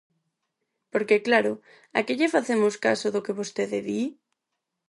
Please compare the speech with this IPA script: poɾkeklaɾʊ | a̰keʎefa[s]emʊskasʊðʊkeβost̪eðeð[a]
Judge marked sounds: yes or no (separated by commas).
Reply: no, no